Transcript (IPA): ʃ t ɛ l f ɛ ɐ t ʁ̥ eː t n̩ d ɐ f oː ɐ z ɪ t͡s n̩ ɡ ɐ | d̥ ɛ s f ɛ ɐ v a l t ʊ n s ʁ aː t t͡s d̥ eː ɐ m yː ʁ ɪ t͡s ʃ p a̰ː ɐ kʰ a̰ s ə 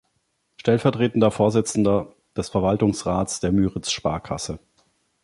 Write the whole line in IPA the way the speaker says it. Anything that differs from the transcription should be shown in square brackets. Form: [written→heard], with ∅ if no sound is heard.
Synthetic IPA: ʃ t ɛ l f ɛ ɐ t ʁ̥ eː t n̩ d ɐ f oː ɐ z ɪ t͡s n̩ [ɡ→d] ɐ | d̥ ɛ s f ɛ ɐ v a l t ʊ [n→ŋ] s ʁ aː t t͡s d̥ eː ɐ m yː ʁ ɪ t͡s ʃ p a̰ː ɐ kʰ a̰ s ə